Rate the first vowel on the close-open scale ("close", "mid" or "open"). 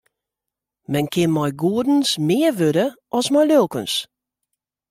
mid